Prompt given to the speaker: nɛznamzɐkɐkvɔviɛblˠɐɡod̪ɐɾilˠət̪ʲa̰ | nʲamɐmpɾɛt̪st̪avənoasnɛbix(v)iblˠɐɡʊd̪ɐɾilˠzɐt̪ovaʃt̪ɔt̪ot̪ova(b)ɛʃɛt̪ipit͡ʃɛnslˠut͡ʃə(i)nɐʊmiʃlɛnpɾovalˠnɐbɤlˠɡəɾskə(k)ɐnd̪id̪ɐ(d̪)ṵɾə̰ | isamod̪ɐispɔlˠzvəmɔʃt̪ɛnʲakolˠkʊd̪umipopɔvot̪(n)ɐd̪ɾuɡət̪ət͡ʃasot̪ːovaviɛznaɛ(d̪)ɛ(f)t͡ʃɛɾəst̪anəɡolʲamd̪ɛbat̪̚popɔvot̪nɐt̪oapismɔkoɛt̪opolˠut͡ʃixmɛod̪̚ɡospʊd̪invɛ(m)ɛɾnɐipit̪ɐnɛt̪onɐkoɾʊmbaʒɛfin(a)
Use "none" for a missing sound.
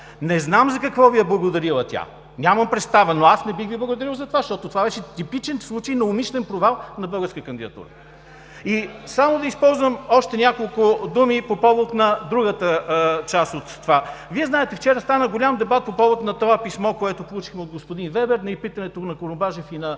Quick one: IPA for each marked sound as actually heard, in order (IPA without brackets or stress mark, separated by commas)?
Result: v, v, j, k, t̪, n, t̪, f, b, ɐ